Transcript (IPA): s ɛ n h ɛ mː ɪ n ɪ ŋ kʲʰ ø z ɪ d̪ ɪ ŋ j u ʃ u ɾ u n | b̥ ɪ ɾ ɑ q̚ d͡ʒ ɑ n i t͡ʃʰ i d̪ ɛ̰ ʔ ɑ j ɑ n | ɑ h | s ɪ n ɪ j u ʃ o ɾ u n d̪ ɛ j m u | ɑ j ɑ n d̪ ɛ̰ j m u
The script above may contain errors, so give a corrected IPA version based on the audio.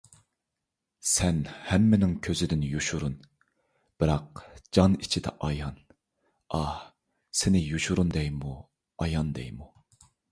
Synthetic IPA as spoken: s ɛ n h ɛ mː ɪ n ɪ ŋ kʲʰ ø z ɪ d̪ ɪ n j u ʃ u ɾ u n | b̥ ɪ ɾ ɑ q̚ d͡ʒ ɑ n i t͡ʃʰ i d̪ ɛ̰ ʔ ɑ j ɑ n | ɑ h | s ɪ n ɪ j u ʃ u ɾ u n d̪ ɛ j m u | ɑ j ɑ n d̪ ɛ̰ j m u